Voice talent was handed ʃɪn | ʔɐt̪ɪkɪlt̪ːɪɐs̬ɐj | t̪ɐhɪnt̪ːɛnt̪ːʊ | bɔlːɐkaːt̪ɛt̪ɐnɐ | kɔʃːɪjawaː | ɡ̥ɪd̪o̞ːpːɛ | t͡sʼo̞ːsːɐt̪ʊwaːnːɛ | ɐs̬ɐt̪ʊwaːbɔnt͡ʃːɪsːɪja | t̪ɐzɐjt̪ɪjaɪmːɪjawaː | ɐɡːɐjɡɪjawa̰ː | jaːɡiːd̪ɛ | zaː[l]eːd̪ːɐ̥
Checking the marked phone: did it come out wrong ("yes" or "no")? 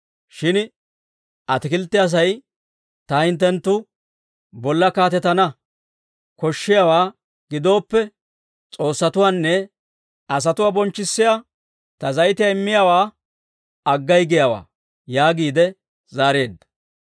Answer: yes